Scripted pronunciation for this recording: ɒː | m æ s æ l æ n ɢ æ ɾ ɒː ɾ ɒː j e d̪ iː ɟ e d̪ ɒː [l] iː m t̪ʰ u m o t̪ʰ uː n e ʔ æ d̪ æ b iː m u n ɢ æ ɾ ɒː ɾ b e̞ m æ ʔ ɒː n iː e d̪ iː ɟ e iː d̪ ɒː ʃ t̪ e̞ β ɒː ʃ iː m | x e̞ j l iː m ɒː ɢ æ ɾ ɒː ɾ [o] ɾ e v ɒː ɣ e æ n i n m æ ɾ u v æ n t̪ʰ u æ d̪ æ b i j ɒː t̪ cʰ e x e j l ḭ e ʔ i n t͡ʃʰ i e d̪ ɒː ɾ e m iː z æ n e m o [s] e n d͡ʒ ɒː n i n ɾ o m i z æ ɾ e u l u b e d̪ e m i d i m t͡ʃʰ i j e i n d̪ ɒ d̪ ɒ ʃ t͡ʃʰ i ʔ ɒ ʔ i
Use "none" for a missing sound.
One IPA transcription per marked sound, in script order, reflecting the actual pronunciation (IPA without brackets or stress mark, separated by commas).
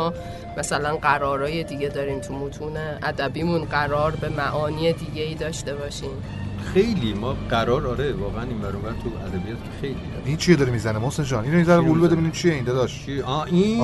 ɾ, ɒ, s